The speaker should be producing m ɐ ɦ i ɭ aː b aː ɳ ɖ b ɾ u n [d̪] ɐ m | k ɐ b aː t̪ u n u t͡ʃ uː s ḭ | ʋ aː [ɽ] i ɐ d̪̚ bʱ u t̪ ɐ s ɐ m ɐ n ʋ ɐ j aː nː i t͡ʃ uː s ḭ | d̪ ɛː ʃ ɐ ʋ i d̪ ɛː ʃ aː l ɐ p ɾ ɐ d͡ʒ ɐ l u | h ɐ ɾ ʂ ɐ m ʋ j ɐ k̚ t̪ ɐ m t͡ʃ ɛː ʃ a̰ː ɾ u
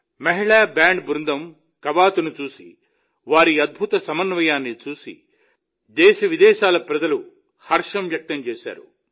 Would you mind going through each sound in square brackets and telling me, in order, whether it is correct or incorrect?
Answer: correct, incorrect: ɾ

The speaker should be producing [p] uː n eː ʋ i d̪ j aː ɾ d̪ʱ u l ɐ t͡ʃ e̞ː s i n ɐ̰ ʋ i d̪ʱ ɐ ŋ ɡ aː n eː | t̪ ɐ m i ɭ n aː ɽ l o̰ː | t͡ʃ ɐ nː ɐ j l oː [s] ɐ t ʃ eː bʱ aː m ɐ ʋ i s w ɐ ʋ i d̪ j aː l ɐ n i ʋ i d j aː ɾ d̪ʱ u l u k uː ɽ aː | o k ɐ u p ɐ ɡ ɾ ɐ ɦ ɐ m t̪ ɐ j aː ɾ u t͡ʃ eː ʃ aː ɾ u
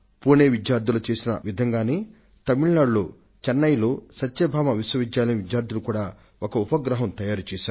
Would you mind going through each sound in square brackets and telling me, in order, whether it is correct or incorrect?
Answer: correct, correct

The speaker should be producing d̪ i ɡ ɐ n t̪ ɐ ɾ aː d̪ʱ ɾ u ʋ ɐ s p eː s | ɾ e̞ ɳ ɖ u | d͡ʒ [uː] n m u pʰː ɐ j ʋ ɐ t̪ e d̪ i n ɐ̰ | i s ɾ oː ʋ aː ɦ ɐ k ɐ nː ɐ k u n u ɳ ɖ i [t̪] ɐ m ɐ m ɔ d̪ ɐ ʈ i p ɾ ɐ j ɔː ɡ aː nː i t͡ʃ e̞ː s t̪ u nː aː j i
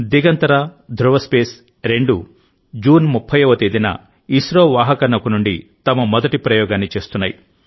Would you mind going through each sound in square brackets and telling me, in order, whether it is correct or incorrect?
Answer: correct, correct

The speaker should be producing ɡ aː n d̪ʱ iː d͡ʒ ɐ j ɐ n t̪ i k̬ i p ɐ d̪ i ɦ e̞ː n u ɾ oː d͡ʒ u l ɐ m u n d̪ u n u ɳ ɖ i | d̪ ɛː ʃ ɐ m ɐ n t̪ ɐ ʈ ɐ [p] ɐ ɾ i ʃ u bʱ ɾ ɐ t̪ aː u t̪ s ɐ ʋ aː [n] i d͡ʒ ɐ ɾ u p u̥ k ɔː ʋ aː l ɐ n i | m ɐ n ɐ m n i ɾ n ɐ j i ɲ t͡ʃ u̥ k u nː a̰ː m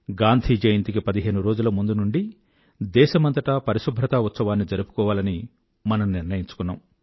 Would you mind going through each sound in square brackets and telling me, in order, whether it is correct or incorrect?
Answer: correct, incorrect: nː

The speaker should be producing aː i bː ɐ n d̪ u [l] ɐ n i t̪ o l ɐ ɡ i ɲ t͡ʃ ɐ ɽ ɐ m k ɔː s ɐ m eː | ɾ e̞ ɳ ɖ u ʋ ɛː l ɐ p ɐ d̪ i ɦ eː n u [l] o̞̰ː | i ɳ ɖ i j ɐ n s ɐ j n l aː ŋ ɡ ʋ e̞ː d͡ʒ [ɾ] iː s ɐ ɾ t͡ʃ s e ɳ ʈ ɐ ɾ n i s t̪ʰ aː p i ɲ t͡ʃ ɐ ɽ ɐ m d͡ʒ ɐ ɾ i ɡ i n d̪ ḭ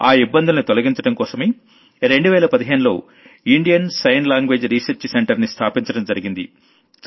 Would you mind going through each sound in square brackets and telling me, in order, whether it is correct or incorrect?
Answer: correct, correct, correct

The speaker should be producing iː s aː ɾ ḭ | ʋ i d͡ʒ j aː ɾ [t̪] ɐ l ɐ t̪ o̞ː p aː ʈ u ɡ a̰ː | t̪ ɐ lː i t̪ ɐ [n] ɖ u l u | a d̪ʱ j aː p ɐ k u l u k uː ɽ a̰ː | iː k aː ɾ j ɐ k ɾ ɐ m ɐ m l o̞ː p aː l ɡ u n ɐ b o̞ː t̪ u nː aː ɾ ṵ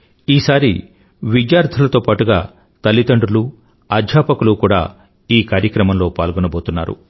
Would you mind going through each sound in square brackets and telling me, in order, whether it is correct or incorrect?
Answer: incorrect: t̪ʰ, incorrect: ɳ

